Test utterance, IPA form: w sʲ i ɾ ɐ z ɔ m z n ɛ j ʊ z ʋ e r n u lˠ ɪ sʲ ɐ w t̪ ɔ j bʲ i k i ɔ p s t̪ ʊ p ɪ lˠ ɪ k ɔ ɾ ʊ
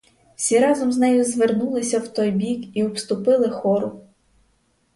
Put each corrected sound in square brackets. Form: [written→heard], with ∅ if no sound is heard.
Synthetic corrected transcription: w sʲ i ɾ [ɐ→ɑ] z ɔ m z n ɛ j ʊ z ʋ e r n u lˠ ɪ sʲ ɐ w t̪ ɔ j bʲ i k i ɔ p s t̪ ʊ p ɪ lˠ ɪ [k→x] ɔ ɾ ʊ